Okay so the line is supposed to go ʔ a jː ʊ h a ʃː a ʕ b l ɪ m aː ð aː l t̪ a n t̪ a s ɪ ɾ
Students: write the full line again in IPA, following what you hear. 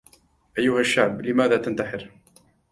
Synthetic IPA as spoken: ʔ a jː ʊ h a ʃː a ʕ b l ɪ m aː ð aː t̪ a n t̪ a ħ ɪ ɾ